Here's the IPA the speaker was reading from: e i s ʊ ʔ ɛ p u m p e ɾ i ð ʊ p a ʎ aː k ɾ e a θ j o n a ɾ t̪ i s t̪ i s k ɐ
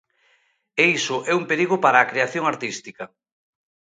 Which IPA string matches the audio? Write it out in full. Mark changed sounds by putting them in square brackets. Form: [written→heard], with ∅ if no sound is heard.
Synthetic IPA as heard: e i s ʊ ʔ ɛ [p→∅] u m p e ɾ i [ð→ɣ] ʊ p a [ʎ→ɾ] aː k ɾ e a θ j o [n→ŋ] a ɾ t̪ i s t̪ i [s→∅] k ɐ